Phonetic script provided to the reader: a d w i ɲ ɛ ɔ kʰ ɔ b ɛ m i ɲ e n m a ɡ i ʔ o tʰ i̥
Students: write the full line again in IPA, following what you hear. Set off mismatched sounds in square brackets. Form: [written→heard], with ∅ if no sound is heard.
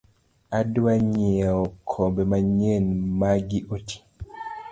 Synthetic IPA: a d w [i→a] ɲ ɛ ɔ kʰ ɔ b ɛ m [i→a] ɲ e n m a ɡ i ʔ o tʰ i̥